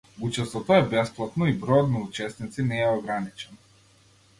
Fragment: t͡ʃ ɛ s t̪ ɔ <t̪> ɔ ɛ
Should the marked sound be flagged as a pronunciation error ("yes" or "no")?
no